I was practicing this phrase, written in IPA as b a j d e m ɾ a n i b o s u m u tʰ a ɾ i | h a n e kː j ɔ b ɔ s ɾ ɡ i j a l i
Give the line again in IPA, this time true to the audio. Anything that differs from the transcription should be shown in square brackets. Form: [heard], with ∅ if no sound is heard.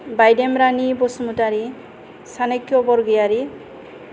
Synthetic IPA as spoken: b a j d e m ɾ a n i b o s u m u [t] a ɾ i | [s] a n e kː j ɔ b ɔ [∅] ɾ ɡ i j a [ɾ] i